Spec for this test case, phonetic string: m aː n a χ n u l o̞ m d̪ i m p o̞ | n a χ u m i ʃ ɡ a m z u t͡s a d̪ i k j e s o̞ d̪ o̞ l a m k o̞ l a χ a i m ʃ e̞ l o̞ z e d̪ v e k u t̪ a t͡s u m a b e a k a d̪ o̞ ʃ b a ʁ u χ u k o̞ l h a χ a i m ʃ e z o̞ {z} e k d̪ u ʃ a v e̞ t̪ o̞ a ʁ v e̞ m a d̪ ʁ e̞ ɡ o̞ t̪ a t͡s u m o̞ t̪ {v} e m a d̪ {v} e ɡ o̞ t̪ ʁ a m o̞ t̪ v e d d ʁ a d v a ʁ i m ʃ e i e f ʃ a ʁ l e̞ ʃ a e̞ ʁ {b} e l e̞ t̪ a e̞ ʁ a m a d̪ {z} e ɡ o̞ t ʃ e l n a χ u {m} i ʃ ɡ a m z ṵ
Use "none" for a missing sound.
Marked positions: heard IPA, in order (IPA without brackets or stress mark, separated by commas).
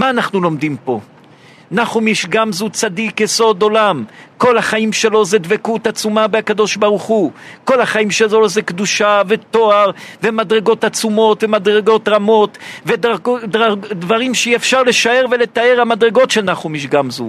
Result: z, v, ʁ, v, ʁ, m